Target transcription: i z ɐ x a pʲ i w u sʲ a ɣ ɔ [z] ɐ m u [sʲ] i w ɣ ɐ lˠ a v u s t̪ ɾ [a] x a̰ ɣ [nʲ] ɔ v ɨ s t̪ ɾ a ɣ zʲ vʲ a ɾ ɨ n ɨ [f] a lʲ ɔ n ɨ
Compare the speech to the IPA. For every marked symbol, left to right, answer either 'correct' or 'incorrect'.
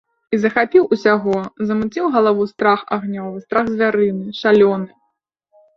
correct, incorrect, correct, correct, incorrect

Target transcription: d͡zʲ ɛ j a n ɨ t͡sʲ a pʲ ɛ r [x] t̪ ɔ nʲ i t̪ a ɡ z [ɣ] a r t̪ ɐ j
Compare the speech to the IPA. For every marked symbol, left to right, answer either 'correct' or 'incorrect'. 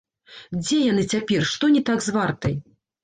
incorrect, incorrect

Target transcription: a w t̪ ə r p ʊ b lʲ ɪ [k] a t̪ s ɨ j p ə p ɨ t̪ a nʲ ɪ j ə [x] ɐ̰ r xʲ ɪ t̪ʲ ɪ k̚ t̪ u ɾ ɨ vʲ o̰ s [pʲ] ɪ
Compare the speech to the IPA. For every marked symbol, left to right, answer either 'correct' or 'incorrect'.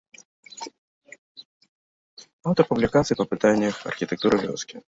correct, correct, incorrect

